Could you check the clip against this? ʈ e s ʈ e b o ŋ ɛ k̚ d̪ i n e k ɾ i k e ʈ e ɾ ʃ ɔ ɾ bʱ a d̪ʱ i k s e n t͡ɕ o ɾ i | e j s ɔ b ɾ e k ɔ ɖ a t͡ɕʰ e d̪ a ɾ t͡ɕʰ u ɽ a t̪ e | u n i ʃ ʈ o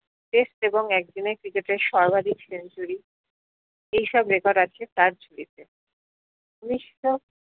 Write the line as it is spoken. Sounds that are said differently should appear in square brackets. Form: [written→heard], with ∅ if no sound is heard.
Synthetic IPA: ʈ e s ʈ e b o ŋ ɛ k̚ d̪ i n e k ɾ i k e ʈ e ɾ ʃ ɔ ɾ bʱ a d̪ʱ i k s e n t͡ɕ [o→u] ɾ i | e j [s→ʃ] ɔ b ɾ e k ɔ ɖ a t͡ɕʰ e [d̪→t̪] a ɾ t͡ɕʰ u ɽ [a→i] t̪ e | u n i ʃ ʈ o